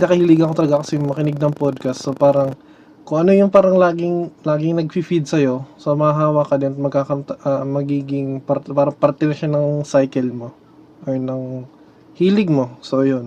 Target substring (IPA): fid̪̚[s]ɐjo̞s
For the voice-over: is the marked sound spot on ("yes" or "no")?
yes